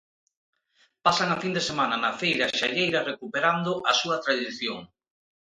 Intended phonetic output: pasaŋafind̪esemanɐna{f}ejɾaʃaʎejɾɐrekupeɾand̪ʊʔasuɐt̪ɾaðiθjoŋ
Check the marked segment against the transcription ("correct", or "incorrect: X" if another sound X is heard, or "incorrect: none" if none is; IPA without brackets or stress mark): correct